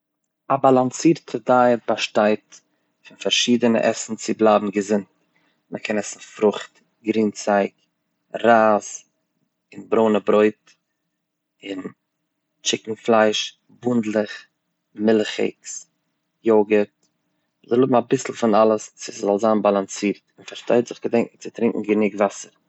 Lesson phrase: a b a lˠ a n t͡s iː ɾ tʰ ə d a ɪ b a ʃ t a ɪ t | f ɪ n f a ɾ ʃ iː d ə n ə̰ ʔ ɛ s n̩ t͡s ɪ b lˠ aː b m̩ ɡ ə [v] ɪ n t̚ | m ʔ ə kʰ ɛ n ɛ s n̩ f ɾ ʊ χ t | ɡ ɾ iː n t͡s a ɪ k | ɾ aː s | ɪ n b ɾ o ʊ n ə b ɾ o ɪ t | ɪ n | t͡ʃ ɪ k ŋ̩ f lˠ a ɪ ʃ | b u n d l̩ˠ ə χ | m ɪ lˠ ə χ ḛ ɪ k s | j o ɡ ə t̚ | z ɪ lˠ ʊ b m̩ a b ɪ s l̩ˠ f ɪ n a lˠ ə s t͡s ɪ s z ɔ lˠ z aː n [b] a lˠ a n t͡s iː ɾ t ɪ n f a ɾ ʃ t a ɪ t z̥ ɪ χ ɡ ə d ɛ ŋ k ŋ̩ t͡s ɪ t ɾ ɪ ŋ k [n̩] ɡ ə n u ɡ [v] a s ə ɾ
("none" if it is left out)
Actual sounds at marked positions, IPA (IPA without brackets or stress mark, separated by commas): z, b, ŋ̩, v